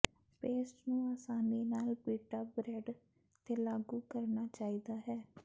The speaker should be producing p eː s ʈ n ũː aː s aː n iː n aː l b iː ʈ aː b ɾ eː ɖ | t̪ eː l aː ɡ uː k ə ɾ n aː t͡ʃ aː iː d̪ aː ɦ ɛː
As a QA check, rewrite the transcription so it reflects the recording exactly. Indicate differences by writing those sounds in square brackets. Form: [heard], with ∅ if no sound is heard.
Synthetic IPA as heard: p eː s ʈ n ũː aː s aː n iː n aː l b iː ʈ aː b ɾ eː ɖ | t̪ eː l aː ɡ uː k ə ɾ n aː t͡ʃ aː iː d̪ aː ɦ ɛː